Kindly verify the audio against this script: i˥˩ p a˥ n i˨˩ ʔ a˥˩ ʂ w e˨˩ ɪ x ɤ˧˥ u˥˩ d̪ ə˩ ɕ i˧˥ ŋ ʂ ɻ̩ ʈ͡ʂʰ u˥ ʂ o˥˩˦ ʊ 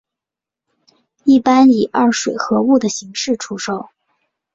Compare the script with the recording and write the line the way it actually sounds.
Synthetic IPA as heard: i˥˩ p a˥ n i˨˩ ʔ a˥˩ ʂ w e˨˩ ɪ x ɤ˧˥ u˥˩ d̪ ə˩ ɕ i˧˥ ŋ ʂ ɻ̩ ʈ͡ʂʰ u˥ ʂ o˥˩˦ ʊ